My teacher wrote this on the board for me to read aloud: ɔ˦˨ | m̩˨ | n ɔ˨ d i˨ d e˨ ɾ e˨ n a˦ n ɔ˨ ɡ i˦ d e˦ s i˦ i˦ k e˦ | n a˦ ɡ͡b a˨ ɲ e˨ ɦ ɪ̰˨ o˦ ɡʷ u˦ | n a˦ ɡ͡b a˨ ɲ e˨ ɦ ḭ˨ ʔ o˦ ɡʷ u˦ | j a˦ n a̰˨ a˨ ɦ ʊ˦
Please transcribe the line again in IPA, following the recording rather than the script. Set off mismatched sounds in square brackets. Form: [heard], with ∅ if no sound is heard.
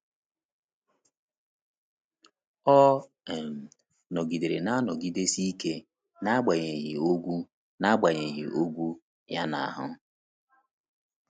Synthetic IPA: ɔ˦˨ | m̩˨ | n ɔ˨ [ɡ] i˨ d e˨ ɾ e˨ n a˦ n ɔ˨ ɡ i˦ d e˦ s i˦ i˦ k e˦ | n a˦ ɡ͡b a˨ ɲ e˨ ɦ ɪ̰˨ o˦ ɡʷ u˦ | n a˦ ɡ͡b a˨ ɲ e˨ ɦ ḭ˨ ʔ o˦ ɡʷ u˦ | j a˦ n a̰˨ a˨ ɦ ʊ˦